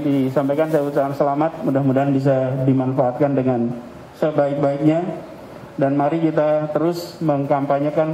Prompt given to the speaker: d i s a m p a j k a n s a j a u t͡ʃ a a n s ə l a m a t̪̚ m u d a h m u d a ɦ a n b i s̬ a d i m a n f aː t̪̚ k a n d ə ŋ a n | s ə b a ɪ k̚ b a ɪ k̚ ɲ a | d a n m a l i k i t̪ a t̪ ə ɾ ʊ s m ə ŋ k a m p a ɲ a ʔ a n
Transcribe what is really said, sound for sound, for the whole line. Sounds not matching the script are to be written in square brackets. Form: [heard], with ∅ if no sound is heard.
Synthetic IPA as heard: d i s a m p a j k a n s a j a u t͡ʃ a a n s ə l a m a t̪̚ m u d a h m u d a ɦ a n b i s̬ a d i m a n f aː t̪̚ k a n d ə ŋ a n | s ə b a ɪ k̚ b a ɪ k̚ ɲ a | d a n m a [ɾ] i k i t̪ a t̪ ə ɾ ʊ s m ə ŋ k a m p a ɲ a [k] a n